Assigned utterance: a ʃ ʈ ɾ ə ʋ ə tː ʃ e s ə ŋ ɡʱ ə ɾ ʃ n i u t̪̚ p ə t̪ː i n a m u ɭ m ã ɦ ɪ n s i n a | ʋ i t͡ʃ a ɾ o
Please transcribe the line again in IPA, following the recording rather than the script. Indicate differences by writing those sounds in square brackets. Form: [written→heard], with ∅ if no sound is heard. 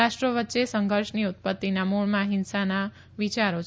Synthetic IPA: a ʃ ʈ ɾ ə ʋ ə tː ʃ e s ə ŋ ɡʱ ə ɾ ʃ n i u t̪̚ p ə t̪ː i n a m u ɭ m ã ɦ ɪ n s [i→a] n a | ʋ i t͡ʃ a ɾ o